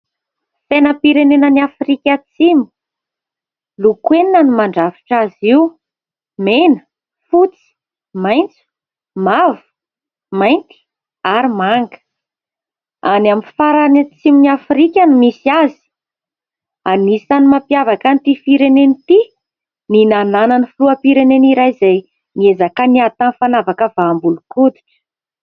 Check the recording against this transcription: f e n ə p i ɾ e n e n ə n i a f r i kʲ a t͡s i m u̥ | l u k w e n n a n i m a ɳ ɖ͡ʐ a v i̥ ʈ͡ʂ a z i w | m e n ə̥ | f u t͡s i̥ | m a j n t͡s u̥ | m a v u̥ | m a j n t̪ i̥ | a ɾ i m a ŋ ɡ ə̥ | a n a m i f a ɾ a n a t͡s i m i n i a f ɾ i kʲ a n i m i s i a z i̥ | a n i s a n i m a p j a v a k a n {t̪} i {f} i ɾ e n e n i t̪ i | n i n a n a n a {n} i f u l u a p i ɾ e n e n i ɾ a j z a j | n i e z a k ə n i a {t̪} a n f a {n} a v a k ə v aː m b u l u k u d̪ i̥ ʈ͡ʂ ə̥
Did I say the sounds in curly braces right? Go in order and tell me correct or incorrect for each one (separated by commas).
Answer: correct, correct, correct, correct, correct